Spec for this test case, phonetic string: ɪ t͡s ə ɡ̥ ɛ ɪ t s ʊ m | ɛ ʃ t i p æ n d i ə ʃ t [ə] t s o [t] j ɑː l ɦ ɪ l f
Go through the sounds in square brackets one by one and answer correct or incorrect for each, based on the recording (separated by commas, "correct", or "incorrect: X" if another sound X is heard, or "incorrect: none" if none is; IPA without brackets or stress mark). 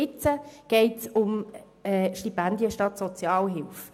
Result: incorrect: ɑ, incorrect: t͡s